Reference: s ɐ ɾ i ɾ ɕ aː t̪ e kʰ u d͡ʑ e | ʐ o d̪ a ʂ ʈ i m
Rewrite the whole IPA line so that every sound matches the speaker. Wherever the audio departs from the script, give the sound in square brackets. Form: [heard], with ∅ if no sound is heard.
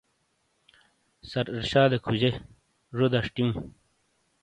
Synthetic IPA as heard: s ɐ ɾ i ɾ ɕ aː [d̪] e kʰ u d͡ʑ e | ʐ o d̪ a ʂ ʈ i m